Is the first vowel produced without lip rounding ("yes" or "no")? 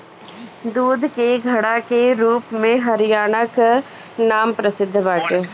no